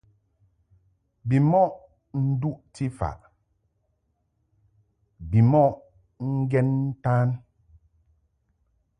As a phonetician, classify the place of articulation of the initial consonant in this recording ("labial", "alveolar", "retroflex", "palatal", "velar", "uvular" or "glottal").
labial